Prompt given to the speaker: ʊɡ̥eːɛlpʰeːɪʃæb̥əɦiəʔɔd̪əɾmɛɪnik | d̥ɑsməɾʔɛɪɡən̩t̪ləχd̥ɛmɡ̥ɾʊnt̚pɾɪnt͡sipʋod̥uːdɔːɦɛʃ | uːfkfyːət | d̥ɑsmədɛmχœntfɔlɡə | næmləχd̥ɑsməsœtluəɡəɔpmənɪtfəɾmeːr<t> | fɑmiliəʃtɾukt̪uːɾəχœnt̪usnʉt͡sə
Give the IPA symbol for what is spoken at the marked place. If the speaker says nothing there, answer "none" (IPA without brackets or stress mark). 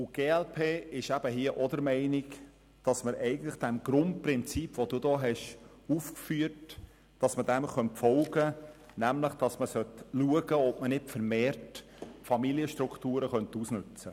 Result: t